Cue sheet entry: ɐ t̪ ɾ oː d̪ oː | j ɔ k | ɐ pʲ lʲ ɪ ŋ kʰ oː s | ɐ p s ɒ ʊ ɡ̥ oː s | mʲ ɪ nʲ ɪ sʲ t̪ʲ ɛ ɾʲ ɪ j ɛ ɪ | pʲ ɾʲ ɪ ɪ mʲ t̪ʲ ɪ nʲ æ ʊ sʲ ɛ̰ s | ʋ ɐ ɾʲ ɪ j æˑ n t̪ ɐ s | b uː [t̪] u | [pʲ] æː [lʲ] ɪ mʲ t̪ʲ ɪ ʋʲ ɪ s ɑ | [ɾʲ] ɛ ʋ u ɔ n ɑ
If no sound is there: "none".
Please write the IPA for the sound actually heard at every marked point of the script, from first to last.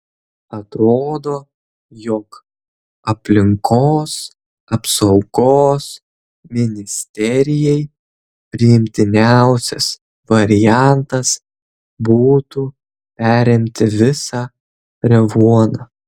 t̪, pʲ, ɾʲ, ɾʲ

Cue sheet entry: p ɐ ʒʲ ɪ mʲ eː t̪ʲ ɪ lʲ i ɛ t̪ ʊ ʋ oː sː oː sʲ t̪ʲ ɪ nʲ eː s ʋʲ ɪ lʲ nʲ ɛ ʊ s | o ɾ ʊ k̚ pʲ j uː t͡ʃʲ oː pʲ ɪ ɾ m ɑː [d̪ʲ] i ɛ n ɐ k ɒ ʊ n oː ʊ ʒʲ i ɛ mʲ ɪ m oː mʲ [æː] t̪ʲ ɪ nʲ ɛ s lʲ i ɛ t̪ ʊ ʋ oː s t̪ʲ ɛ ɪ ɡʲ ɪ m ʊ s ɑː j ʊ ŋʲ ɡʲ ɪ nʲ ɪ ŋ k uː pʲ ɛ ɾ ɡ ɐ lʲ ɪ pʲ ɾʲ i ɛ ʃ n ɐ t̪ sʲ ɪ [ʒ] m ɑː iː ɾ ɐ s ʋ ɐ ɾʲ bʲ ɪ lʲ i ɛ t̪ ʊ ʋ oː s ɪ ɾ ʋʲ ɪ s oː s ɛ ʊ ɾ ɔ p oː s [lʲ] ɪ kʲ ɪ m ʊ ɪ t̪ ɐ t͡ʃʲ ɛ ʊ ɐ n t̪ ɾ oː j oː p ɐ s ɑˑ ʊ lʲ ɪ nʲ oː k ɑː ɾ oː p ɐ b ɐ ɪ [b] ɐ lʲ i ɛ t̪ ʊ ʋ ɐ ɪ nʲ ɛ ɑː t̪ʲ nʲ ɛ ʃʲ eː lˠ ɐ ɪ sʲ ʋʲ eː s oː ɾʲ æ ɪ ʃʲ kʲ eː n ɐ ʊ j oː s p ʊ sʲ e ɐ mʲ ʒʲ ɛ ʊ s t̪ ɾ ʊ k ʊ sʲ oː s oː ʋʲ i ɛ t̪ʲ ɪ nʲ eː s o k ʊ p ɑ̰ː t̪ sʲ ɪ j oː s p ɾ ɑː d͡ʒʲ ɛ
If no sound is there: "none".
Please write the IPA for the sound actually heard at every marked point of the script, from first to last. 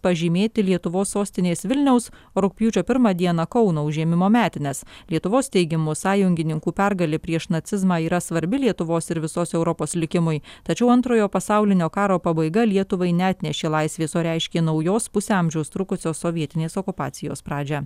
d̪ʲ, æː, z, lʲ, ɡ

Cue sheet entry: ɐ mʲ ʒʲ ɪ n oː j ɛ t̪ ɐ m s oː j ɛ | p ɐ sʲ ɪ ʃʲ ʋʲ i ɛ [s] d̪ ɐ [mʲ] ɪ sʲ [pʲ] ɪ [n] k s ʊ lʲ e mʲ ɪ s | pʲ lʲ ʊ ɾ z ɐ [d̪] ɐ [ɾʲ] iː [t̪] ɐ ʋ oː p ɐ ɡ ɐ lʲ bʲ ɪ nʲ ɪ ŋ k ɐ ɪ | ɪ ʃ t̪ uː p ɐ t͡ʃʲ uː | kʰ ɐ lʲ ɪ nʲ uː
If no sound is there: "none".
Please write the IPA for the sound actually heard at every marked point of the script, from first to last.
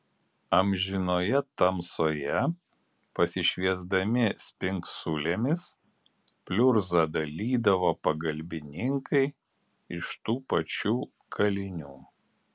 z, mʲ, pʲ, ŋ, d̪, lʲ, d̪

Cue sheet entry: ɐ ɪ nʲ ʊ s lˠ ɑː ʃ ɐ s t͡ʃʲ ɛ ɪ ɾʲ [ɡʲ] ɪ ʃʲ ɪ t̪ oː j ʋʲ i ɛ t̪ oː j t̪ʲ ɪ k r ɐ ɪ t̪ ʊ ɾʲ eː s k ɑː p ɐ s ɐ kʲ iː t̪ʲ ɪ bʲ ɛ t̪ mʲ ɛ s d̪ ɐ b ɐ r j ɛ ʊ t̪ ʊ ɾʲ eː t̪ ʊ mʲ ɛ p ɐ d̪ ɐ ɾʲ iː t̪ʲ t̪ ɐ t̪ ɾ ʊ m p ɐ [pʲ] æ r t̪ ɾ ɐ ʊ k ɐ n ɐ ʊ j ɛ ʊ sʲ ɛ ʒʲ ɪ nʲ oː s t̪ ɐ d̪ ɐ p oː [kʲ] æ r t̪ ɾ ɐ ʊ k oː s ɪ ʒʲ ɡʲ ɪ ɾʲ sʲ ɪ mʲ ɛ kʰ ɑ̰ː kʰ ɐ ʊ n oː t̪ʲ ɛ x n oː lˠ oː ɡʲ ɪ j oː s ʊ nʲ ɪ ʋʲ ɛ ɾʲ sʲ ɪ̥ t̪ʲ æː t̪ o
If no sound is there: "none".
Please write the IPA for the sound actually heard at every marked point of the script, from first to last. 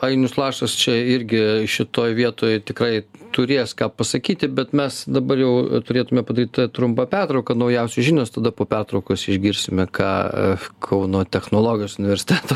ɡʲ, pʲ, pʲ

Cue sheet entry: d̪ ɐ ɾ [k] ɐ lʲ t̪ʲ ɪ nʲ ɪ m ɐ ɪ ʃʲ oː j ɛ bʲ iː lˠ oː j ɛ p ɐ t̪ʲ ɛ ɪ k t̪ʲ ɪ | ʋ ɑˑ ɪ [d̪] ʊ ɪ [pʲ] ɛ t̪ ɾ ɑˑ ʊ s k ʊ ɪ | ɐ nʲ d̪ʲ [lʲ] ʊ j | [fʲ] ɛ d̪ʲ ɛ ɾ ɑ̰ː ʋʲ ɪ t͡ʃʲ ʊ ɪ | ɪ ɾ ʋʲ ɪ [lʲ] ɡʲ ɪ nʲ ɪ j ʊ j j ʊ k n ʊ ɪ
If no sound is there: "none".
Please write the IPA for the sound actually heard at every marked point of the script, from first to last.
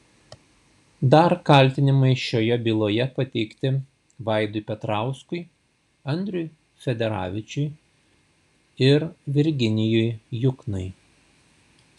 k, d̪, pʲ, ɾʲ, fʲ, ɾʲ

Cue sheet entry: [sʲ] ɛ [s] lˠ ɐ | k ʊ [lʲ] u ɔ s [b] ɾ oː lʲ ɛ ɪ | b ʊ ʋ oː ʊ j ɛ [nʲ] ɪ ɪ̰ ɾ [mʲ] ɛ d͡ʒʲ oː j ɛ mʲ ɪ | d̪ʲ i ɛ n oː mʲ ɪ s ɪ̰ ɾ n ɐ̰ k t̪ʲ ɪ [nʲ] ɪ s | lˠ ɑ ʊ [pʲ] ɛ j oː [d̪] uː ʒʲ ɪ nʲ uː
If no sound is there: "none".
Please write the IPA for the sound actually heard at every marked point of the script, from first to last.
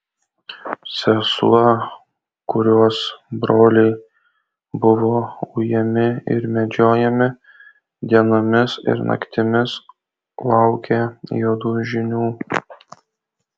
sʲ, s, ɾʲ, b, mʲ, mʲ, mʲ, kʲ, d̪

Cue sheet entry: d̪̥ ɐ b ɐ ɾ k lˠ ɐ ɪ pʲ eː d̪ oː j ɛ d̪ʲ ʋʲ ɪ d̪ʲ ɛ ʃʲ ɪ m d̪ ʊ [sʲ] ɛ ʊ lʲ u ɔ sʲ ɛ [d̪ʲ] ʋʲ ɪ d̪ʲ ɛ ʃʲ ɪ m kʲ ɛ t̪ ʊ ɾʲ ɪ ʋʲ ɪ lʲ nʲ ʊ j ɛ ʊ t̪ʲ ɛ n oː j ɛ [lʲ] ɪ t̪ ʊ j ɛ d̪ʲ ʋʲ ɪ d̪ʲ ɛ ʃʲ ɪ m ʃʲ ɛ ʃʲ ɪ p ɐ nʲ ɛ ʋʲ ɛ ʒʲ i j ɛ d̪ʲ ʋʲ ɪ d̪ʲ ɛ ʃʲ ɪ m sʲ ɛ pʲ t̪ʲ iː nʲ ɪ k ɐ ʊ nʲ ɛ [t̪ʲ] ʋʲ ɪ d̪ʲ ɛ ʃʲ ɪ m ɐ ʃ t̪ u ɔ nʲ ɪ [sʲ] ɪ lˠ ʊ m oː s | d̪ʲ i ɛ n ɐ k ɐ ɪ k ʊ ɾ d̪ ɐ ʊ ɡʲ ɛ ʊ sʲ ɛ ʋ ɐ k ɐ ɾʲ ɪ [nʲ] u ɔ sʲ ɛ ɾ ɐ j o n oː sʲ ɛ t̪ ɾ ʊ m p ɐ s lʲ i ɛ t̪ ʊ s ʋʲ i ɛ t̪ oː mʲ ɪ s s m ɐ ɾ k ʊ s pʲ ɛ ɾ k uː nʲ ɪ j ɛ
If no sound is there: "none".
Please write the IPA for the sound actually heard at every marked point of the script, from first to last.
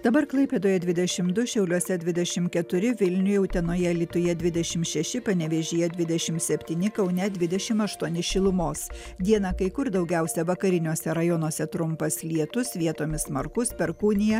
ʃʲ, d̪ʲ, lʲ, d̪ʲ, ʃʲ, nʲ

